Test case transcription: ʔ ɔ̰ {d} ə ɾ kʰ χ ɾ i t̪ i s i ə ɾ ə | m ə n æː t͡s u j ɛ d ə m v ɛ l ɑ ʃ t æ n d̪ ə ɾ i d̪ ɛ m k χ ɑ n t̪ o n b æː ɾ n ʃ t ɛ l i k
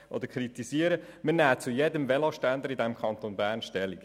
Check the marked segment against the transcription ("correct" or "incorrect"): correct